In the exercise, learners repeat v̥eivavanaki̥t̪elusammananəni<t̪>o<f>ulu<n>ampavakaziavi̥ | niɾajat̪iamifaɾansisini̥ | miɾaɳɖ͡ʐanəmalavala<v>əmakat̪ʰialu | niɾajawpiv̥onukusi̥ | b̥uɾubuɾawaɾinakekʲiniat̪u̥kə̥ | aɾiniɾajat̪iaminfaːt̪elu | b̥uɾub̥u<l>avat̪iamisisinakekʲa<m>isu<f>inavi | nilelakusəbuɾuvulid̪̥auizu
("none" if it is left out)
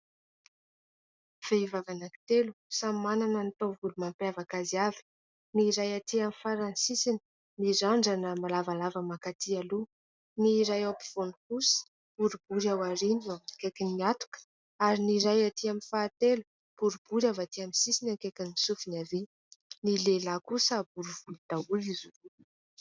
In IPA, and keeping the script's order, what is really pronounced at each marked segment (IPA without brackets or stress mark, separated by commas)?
t̪, v, m, v, ɾ, n, f